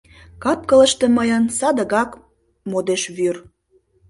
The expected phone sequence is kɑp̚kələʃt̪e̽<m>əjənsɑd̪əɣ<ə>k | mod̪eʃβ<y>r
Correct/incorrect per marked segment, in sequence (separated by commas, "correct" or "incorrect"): correct, incorrect, correct